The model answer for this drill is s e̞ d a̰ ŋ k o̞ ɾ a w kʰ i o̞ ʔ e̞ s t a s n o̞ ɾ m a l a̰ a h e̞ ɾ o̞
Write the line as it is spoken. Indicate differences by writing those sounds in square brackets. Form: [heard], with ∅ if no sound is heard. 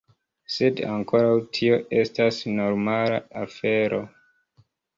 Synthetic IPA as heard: s e̞ d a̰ ŋ k o̞ ɾ a w [tʰ] i o̞ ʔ e̞ s t a s n o̞ ɾ m a l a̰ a [f] e̞ ɾ o̞